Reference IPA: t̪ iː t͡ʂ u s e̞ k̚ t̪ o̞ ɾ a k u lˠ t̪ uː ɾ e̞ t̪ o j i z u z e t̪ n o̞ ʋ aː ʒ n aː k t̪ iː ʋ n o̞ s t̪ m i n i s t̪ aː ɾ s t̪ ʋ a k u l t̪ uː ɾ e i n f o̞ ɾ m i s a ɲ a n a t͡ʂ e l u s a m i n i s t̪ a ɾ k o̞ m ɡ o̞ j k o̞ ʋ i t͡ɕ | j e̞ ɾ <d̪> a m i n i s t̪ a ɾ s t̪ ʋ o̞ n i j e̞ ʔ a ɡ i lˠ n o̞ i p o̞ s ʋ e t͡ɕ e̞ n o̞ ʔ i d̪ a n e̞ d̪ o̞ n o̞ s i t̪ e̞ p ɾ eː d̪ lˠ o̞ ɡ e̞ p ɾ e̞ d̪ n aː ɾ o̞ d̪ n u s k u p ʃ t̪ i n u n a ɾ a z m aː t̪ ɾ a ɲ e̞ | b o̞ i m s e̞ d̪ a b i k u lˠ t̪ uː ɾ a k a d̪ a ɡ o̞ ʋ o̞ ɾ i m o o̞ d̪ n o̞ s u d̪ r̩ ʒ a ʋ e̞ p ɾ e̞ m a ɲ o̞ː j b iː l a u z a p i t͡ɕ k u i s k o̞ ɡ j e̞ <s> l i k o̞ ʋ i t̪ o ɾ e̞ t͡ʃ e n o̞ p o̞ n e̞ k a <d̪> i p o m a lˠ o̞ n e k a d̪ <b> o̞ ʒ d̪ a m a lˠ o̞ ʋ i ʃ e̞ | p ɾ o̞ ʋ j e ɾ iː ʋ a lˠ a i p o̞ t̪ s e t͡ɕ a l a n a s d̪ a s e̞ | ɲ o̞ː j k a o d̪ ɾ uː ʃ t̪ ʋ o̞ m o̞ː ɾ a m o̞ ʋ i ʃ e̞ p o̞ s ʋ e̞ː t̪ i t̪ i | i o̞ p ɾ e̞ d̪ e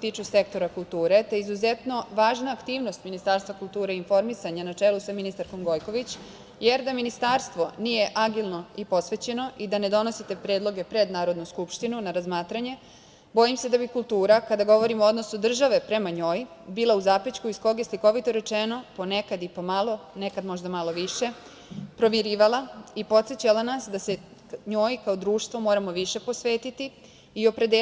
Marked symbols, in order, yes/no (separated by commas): yes, yes, yes, no